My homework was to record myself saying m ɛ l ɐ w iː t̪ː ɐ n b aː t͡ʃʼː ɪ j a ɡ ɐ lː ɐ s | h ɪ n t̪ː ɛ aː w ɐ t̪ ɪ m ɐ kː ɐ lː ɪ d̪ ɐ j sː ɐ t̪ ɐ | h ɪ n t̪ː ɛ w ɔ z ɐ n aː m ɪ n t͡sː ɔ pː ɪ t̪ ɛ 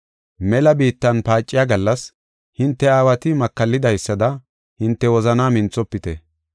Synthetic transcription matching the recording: m ɛ l ɐ b iː t̪ː ɐ n p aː t͡ʃʼː ɪ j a ɡ ɐ lː ɐ s | h ɪ n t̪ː ɛ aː w ɐ t̪ ɪ m ɐ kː ɐ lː ɪ d̪ ɐ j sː ɐ d̪ ɐ | h ɪ n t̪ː ɛ w ɔ z ɐ n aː m ɪ n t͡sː ɔ pː ɪ t̪ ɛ